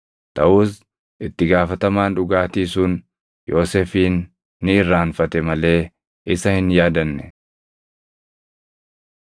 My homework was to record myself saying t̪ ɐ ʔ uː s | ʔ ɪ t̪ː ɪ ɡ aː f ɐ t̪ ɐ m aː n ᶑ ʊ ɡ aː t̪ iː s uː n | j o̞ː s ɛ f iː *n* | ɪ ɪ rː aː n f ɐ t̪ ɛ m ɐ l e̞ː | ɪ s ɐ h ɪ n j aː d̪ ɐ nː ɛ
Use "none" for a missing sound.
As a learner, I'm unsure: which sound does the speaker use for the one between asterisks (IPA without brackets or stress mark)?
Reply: nː